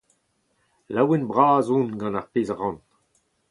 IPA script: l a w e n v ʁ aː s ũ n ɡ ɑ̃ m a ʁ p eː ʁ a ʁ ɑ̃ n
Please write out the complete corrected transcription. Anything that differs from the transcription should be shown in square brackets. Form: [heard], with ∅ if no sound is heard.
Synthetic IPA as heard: l a w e n [b] ʁ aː [z] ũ n ɡ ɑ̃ [n] a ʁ p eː [z] a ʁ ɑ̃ n